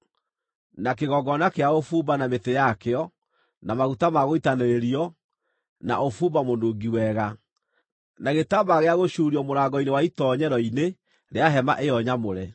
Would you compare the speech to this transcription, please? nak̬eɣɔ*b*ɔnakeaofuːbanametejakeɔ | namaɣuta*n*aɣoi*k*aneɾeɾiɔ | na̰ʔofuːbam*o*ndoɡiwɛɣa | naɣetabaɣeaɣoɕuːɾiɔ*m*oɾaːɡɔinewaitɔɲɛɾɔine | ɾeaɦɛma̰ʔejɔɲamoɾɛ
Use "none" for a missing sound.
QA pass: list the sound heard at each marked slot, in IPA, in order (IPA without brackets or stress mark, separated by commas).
ɡ, m, t, o, m